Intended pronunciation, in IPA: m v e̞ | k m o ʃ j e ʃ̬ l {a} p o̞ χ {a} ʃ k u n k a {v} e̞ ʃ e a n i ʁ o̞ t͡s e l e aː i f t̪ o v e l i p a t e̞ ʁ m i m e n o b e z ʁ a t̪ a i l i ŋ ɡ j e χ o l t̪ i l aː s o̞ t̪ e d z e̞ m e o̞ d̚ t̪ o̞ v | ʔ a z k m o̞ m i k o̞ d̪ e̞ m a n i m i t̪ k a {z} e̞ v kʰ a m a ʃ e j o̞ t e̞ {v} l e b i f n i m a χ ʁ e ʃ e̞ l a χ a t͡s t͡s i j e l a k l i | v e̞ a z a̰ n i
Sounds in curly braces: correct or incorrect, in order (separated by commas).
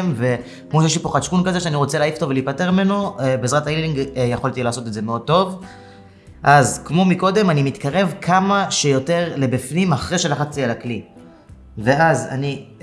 incorrect, correct, incorrect, incorrect, incorrect